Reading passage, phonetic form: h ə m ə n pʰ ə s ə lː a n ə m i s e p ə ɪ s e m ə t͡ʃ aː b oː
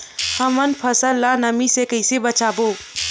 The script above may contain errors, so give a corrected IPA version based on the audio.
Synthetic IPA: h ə m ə n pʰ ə s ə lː a n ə m i s e k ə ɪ s e b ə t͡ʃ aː b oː